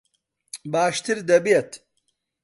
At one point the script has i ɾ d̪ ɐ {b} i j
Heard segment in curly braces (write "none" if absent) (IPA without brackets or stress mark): b